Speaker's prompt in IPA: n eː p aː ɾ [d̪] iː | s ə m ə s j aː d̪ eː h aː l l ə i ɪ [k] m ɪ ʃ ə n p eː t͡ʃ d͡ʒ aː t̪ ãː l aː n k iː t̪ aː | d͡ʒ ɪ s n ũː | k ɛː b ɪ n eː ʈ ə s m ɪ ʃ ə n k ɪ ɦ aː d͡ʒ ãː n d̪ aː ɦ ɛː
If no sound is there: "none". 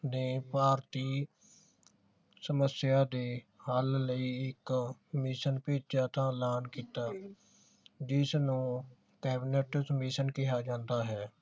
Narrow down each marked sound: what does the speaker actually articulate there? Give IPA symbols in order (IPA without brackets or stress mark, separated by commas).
t̪, k